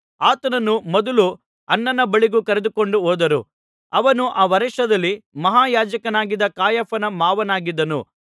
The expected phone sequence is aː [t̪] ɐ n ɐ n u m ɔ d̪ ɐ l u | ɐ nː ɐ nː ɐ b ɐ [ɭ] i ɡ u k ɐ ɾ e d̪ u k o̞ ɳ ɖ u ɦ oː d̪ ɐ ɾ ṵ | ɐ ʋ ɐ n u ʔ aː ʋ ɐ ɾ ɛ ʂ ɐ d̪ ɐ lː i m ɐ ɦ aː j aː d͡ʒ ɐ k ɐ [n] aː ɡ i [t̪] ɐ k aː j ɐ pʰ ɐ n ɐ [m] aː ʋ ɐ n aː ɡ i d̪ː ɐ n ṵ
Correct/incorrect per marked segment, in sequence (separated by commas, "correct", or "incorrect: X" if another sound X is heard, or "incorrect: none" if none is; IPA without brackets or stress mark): correct, correct, correct, incorrect: d̪, correct